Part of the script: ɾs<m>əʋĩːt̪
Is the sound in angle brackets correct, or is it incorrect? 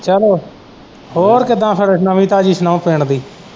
incorrect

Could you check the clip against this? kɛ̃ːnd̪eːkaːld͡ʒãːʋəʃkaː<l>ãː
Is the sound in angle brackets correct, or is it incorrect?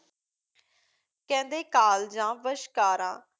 incorrect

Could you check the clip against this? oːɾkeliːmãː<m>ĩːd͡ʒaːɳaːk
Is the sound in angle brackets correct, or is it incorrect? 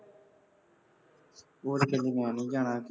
incorrect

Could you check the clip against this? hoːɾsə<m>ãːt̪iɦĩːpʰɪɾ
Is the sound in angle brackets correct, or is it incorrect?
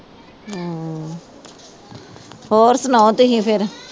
incorrect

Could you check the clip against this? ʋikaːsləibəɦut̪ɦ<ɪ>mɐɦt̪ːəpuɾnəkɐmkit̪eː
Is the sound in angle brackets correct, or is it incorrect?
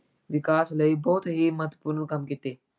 incorrect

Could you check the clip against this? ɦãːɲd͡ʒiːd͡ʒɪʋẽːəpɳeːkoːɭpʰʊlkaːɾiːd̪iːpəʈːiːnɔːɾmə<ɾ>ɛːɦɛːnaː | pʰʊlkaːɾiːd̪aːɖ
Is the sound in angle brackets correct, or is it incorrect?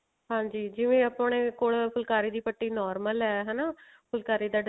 incorrect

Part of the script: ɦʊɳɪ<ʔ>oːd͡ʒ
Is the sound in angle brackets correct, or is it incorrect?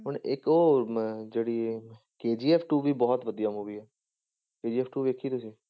incorrect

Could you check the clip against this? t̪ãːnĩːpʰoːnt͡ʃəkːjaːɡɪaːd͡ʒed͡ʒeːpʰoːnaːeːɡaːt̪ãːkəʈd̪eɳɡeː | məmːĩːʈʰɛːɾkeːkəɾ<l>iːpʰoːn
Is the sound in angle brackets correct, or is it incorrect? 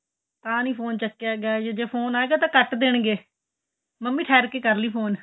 correct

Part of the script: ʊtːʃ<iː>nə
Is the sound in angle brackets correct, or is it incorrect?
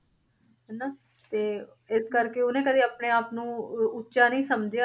incorrect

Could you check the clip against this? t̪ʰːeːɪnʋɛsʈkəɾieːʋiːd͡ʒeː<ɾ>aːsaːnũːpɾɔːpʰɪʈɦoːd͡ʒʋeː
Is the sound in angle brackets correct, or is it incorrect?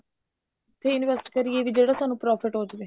incorrect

